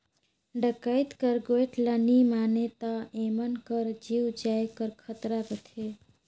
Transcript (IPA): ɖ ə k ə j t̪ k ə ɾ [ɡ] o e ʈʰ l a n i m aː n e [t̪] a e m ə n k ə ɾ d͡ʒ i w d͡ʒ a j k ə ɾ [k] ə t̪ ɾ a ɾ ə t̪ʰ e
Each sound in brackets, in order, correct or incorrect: correct, correct, incorrect

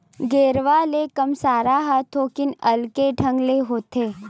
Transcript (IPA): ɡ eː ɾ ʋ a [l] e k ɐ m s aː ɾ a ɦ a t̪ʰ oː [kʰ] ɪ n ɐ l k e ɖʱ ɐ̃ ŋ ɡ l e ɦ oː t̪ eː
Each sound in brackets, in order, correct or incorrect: correct, incorrect

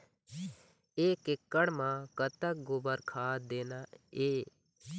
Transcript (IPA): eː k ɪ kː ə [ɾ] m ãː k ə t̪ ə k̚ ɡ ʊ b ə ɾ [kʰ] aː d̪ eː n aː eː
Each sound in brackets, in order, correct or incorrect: incorrect, correct

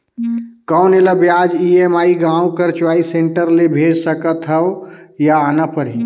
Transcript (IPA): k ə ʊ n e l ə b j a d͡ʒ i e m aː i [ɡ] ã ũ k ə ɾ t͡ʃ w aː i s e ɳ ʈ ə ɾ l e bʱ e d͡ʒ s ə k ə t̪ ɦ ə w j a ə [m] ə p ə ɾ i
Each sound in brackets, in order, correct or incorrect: correct, incorrect

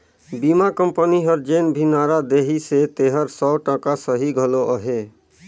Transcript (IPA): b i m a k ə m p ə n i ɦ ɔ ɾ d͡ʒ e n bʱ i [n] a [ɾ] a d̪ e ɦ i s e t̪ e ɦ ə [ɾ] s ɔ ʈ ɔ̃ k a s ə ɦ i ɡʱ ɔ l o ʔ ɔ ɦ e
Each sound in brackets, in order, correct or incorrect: correct, correct, correct

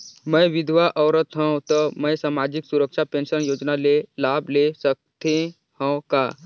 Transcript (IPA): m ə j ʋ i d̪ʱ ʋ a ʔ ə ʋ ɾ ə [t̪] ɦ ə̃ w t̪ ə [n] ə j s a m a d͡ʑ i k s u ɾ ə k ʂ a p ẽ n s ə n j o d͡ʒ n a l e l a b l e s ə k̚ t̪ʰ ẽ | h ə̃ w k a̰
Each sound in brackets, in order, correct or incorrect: correct, incorrect

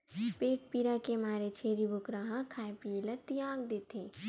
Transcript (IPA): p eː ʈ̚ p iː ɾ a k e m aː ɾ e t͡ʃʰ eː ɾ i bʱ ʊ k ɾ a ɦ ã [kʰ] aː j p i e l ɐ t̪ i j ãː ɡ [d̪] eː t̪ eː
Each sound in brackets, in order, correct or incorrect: correct, correct

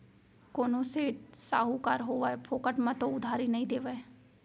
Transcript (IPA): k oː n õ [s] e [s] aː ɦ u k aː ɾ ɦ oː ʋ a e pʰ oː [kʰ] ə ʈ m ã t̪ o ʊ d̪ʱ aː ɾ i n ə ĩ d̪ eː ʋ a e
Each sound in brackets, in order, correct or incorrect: correct, correct, incorrect

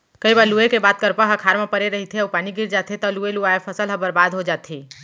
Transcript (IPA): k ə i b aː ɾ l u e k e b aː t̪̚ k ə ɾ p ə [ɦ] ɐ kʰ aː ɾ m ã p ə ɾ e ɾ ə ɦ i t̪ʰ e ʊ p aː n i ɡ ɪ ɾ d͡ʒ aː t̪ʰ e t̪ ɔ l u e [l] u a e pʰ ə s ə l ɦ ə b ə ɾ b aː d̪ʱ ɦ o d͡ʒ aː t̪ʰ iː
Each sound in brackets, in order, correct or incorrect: correct, correct

